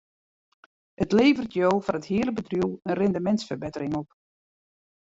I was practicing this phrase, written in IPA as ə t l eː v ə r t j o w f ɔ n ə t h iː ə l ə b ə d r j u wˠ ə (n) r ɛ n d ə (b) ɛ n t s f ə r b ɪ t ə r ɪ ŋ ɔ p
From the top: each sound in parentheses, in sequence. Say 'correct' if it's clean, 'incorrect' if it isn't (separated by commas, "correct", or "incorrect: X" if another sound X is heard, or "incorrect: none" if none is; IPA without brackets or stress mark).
correct, incorrect: m